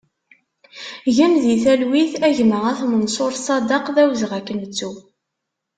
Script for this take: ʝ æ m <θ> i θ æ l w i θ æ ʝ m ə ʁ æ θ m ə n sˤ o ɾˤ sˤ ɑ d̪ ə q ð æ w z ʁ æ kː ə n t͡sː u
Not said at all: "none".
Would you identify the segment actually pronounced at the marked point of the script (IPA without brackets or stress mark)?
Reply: ð